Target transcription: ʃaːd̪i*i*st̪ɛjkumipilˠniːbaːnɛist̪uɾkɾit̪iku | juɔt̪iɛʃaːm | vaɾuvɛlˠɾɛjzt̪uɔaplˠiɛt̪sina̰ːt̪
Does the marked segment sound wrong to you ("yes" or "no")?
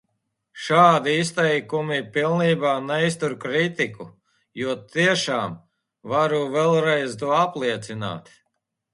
no